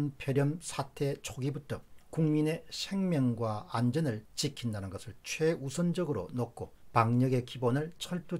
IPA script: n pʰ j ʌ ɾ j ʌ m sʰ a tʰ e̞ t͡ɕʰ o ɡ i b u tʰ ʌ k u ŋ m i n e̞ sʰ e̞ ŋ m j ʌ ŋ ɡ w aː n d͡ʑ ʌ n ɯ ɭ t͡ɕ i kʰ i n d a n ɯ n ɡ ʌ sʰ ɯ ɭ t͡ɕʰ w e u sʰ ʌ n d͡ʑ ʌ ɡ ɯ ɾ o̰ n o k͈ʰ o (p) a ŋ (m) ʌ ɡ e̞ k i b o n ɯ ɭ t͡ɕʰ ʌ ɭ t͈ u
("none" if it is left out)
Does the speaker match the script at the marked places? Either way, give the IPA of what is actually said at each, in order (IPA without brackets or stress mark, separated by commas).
p, ɲ